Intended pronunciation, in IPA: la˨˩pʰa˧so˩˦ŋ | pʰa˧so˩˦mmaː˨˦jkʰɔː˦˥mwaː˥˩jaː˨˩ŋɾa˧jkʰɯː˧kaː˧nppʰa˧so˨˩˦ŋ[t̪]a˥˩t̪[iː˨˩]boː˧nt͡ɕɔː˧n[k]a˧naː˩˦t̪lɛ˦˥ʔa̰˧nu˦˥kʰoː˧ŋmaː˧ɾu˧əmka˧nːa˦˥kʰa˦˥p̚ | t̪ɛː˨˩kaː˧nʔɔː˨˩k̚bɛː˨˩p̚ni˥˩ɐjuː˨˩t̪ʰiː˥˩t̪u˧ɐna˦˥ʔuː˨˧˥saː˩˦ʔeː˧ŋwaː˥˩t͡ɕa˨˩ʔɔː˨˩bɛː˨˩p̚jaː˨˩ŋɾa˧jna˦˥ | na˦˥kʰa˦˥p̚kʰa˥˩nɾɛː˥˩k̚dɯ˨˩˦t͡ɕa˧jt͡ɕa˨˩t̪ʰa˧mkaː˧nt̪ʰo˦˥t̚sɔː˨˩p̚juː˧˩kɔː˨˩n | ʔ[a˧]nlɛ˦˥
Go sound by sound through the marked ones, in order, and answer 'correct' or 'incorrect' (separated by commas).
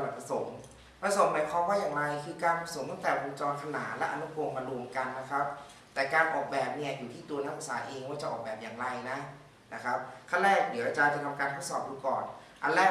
correct, incorrect, incorrect, correct